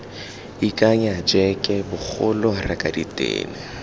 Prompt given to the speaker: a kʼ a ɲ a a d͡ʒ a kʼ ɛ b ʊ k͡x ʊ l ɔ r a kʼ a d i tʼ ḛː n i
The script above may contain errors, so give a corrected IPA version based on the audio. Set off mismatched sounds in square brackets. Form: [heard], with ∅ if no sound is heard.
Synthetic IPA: [i] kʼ a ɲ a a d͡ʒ [ɛ] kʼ ɛ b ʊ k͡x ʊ l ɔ r a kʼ a d i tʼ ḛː n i

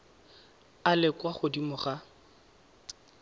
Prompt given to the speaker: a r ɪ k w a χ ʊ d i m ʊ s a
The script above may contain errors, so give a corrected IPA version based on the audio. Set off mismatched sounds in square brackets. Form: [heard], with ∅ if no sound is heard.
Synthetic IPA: a [l] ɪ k w a χ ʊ d i m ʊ [χ] a

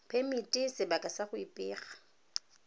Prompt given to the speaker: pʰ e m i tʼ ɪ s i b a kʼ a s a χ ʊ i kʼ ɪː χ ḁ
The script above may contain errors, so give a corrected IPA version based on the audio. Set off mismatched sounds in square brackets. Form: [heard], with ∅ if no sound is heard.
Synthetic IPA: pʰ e m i tʼ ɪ s [ɪ] b a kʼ a s a χ ʊ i [pʼ] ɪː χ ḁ

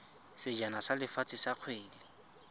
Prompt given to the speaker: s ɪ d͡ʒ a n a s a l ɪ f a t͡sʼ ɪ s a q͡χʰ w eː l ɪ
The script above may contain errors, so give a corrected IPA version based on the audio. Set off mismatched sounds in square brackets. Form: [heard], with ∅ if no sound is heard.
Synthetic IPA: s ɪ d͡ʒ a n a s a l ɪ f a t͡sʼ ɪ s a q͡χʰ w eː l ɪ

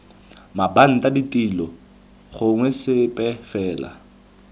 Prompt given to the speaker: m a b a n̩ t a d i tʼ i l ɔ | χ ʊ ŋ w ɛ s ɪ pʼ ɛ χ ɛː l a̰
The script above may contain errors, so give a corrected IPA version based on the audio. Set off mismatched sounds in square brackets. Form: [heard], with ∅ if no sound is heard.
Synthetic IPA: m a b a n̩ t a d i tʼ i l ɔ | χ ʊ ŋ w ɛ s ɪ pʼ ɛ [f] ɛː l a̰

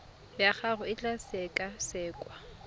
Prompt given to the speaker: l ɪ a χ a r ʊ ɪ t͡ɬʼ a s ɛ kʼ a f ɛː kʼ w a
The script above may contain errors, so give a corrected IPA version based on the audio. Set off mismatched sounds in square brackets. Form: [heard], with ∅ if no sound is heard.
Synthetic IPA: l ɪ a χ a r ʊ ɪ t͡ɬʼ a s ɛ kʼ a [s] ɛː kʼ w a

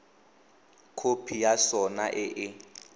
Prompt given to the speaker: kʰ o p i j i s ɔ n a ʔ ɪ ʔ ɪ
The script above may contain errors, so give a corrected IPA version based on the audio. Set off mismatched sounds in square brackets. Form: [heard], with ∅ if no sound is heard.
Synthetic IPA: kʰ o [pʰ] i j [a] s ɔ n a ʔ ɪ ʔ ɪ

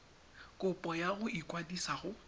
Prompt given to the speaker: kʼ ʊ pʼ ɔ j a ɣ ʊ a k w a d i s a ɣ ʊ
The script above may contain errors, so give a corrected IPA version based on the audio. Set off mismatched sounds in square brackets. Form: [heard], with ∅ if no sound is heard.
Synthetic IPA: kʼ ʊ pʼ ɔ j a ɣ ʊ [i] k w a d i s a ɣ ʊ

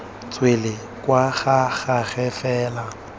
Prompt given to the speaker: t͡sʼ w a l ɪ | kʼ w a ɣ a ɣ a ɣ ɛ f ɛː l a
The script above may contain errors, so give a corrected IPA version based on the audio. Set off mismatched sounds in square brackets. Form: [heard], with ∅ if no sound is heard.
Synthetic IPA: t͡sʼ w [e] l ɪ | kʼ w a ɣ a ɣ a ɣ ɛ f ɛː l a

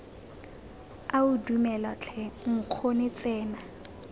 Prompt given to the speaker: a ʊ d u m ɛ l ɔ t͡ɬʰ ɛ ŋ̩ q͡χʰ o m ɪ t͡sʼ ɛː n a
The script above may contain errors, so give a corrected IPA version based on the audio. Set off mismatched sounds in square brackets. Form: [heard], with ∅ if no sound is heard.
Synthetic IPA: a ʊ d u m ɛ l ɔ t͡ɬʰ ɛ ŋ̩ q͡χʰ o [n] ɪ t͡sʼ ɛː n a

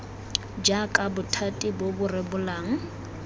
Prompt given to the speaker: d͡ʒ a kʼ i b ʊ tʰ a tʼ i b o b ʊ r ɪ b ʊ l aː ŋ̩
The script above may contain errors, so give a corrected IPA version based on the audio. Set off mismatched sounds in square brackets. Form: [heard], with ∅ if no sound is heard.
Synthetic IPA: d͡ʒ a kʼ [a] b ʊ tʰ a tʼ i b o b ʊ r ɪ b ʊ l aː ŋ̩

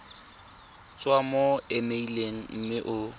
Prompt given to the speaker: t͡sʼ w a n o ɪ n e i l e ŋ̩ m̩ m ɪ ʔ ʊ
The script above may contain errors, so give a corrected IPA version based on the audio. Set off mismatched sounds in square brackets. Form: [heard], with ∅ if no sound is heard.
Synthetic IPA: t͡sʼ w a [m] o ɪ [m] e i l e ŋ̩ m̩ m ɪ ʔ ʊ

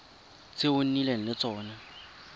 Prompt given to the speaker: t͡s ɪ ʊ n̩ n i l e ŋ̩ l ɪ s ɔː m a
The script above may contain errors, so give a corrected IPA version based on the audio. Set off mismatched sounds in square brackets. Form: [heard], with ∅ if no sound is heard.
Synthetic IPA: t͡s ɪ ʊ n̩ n i l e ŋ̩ l ɪ [t͡s] ɔː [n] a

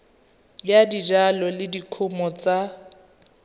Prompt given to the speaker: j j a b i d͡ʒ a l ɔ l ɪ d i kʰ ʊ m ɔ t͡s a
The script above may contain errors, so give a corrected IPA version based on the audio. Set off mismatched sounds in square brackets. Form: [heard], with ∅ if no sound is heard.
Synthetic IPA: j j a [d] i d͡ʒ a l ɔ l ɪ d i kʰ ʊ m ɔ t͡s a

